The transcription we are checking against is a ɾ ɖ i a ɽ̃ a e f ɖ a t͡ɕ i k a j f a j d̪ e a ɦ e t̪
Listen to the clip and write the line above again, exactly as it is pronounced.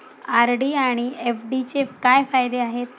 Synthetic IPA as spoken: a ɾ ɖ i a ɽ̃ i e f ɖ i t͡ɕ e k a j f a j d̪ e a ɦ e t̪